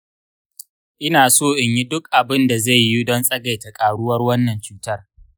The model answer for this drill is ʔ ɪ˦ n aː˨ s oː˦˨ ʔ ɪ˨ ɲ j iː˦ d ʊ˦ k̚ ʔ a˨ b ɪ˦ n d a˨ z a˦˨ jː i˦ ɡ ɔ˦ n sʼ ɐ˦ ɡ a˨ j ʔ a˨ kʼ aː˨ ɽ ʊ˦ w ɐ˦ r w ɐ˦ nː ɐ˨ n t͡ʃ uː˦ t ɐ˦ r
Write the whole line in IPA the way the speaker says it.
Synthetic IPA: ʔ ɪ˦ n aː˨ s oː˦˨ ʔ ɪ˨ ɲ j i˦ d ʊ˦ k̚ ʔ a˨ b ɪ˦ n d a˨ z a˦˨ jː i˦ d ɔ˦ n sʼ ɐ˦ ɡ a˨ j t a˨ kʼ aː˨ ɽ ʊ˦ w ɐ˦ r w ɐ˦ nː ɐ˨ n t͡ʃ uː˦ t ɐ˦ r